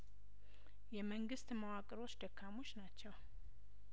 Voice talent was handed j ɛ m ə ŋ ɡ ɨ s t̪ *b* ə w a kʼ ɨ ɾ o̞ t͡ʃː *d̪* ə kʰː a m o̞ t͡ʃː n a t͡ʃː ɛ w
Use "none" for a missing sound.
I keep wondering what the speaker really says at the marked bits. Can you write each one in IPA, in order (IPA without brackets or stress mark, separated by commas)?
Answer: m, d̪